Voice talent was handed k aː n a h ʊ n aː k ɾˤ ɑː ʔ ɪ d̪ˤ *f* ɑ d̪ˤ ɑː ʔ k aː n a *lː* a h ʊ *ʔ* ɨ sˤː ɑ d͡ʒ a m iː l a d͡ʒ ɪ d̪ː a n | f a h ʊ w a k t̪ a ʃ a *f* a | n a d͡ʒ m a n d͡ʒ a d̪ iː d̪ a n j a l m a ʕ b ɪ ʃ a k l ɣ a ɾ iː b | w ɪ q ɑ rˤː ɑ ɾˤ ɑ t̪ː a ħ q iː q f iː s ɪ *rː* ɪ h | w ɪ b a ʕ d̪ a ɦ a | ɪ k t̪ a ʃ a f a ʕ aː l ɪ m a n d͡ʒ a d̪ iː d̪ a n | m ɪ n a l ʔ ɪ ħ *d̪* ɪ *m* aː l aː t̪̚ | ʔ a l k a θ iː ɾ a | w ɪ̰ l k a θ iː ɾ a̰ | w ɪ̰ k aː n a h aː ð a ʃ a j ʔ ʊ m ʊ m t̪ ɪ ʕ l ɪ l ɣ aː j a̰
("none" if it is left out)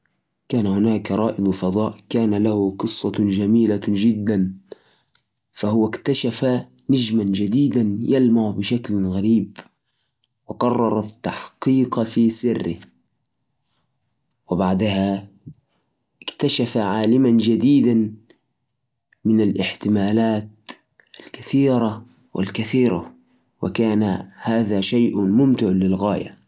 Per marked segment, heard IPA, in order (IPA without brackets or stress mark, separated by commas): f, l, q, f, rː, t̪, m